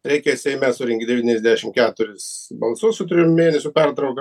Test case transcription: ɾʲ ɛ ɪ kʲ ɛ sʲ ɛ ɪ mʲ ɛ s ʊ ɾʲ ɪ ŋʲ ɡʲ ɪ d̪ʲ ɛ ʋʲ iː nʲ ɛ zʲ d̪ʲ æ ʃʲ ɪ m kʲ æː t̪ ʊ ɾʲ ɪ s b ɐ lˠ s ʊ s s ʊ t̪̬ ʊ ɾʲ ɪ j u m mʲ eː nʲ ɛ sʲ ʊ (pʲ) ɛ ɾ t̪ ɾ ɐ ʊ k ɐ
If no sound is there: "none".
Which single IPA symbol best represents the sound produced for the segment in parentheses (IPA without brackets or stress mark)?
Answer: pʲ